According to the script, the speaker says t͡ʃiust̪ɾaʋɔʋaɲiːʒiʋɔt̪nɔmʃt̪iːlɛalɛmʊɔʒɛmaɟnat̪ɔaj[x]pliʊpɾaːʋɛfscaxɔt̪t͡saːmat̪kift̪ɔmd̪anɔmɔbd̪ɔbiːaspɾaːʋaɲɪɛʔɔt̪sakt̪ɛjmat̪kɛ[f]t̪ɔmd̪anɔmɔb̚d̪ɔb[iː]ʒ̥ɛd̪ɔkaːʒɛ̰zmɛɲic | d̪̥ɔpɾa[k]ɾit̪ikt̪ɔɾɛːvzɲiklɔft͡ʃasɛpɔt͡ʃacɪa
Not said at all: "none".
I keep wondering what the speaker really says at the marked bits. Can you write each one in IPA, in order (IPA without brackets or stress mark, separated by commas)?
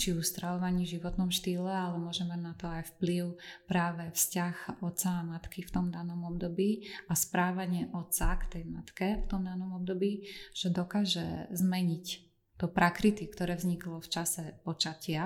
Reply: f, f, iː, k